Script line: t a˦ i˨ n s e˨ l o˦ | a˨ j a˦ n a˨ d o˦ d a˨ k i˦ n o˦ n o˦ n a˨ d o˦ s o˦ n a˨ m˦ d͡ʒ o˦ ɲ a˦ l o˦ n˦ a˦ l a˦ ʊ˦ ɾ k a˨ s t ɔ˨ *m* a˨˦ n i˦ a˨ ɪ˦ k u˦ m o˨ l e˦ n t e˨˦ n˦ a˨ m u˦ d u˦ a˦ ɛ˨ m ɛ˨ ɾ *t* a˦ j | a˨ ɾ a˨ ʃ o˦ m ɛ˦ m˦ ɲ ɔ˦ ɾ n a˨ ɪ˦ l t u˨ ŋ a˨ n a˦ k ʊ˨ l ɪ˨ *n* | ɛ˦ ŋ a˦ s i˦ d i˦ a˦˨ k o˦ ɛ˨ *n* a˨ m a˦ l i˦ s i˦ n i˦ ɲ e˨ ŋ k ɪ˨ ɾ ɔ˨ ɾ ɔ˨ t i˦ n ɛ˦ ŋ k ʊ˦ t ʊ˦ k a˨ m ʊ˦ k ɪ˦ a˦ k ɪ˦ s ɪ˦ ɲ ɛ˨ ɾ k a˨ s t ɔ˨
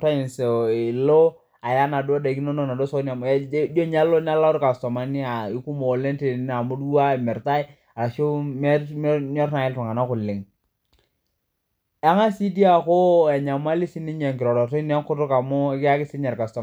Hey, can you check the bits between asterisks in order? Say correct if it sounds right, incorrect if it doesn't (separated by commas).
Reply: correct, correct, incorrect, incorrect